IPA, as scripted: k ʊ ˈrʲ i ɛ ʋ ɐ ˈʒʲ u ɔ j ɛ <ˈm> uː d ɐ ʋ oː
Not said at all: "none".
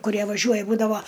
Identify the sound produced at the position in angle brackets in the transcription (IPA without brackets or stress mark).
b